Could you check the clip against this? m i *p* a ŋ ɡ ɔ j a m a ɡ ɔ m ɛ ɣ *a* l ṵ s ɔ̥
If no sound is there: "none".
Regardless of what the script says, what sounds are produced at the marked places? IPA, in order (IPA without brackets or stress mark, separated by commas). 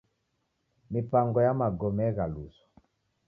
p, a